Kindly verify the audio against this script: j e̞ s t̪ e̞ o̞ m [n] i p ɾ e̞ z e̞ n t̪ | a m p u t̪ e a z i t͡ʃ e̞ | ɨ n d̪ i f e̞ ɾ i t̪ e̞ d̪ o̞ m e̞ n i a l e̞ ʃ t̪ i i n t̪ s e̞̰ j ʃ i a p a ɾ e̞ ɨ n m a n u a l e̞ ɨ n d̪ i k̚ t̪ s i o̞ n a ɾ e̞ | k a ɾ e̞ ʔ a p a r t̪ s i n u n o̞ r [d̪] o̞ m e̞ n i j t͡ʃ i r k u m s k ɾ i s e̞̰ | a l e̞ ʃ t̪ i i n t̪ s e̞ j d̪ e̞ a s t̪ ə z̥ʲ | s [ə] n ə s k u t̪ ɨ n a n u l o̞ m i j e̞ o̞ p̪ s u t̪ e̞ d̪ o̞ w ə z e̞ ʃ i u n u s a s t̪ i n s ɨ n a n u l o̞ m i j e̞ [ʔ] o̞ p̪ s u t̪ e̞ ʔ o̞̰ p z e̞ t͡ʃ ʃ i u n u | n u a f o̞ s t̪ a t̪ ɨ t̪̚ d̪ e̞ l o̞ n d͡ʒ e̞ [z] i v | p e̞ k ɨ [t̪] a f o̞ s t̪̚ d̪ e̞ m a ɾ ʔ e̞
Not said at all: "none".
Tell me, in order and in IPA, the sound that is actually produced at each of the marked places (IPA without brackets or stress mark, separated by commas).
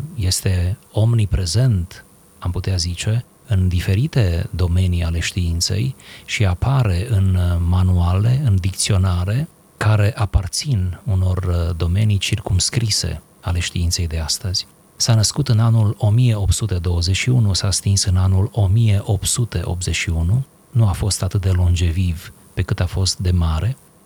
n, d̪, a, ʔ, v, t̪